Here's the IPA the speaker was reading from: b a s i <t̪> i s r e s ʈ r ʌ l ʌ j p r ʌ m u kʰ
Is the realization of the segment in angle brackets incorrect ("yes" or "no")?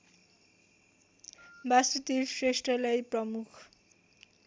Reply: no